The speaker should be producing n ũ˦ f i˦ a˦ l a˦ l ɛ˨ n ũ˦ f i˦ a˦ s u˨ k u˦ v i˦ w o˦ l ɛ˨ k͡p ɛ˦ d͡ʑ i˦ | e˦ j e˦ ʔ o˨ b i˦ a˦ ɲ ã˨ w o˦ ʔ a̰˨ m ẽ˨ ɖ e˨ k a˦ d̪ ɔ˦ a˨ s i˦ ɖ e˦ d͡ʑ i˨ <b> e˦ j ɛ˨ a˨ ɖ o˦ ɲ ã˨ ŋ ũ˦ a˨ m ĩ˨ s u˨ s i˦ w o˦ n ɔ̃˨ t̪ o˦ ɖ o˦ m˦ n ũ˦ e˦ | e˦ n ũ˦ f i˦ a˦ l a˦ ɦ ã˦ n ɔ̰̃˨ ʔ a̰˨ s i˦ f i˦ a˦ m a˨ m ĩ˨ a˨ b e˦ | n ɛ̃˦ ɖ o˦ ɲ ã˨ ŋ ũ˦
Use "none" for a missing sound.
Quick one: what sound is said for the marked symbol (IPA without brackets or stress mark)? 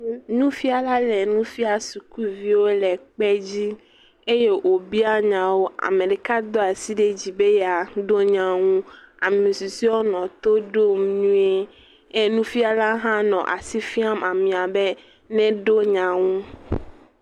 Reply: b